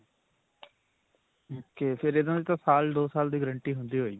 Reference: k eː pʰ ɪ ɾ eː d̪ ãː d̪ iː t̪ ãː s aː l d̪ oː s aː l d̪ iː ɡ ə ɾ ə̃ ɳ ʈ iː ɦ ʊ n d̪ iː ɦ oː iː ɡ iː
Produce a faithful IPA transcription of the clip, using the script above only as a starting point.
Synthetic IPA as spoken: k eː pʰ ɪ ɾ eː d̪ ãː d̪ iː t̪ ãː s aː l d̪ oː s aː l d̪ iː ɡ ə ɾ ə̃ ɳ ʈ iː ɦ ʊ n d̪ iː ɦ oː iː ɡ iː